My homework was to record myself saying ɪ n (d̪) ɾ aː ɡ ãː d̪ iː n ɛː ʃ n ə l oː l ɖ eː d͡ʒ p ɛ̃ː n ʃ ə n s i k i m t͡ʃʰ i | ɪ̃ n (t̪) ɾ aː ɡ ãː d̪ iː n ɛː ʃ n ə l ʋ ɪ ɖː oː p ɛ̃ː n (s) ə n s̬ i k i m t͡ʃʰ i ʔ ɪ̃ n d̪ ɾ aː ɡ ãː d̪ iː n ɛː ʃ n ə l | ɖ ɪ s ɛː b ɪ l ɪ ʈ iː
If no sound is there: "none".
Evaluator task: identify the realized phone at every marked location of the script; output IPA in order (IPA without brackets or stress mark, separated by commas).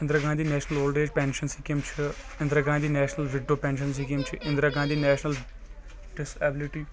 d̪, d̪, ʃ